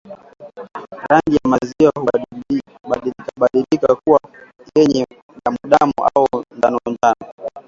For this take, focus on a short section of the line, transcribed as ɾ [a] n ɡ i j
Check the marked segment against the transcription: correct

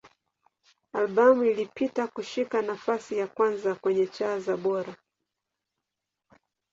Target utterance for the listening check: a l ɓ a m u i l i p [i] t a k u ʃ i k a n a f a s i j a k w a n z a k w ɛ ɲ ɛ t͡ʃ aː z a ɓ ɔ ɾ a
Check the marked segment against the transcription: correct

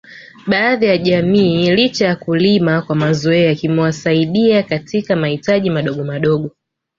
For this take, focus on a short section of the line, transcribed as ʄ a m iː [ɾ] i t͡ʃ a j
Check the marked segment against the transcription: incorrect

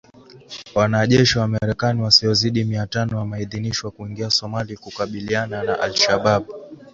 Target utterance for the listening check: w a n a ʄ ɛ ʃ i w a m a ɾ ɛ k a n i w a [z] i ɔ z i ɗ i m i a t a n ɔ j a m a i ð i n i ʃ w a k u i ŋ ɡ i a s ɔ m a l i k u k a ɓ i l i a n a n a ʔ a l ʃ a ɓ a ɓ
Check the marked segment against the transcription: incorrect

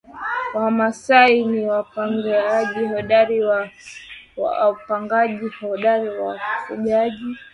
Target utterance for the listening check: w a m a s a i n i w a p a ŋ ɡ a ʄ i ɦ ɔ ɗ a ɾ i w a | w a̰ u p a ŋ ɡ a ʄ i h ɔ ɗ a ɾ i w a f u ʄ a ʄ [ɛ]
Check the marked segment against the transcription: incorrect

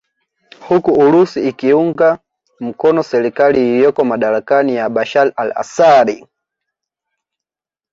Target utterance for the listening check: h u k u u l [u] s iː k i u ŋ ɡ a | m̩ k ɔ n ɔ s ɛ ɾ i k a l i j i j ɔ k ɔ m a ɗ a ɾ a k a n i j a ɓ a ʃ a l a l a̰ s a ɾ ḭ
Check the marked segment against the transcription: correct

